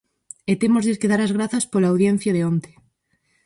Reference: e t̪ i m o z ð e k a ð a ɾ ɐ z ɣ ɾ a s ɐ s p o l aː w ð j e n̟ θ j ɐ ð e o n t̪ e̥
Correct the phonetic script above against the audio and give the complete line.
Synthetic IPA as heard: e t̪ e m o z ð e k e ð a ɾ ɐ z ɣ ɾ a θ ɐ s p o l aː w ð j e n̟ θ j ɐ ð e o n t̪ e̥